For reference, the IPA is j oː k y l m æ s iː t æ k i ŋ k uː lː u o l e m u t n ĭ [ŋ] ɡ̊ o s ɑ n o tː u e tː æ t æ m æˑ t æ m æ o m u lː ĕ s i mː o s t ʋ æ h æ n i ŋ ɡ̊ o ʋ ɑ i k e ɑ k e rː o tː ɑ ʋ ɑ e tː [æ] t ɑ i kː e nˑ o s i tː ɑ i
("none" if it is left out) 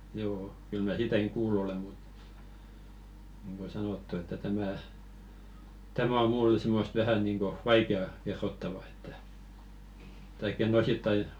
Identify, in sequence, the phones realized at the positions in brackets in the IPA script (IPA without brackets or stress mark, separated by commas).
ŋ, æ